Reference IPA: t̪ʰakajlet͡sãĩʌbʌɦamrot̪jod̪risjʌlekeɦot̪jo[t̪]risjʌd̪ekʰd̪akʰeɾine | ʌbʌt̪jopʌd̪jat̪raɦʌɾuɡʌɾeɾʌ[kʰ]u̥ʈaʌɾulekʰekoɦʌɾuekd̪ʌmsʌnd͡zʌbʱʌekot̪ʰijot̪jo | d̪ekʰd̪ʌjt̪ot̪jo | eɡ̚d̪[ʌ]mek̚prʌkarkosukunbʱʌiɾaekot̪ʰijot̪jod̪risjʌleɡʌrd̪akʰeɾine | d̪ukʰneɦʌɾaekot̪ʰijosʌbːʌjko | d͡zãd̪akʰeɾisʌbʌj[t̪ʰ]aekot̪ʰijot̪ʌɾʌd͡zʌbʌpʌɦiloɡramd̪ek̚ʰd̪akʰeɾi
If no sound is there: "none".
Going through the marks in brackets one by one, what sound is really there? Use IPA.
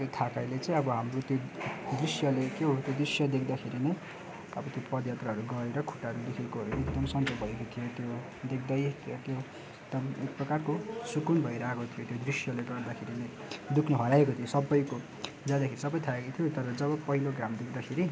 d̪, kʰ, ʌ, t̪ʰ

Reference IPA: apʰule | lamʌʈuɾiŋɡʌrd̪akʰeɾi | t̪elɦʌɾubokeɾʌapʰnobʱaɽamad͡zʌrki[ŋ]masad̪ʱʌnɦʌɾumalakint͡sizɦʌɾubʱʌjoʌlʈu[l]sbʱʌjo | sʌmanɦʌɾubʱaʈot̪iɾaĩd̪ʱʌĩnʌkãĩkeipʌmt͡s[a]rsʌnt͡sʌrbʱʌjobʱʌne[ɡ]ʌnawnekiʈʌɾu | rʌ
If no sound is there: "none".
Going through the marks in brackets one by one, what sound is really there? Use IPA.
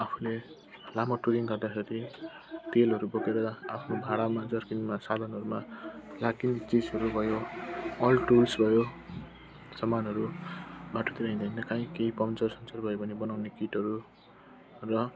n, l, ʌ, b

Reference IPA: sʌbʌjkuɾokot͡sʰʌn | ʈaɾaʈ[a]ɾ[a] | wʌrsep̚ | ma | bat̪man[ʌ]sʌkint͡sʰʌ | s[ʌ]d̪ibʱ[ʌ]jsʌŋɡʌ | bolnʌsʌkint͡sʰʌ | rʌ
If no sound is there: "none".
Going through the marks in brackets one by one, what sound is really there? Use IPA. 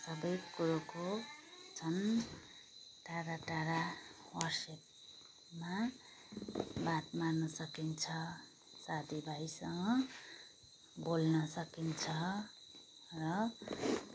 a, a, ʌ, a, a

